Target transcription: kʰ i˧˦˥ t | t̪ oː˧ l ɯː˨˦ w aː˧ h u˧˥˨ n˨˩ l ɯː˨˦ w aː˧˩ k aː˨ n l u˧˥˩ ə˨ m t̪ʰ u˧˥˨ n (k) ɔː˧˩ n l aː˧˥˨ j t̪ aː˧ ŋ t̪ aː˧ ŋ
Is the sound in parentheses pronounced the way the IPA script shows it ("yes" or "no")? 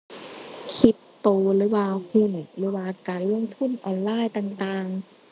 no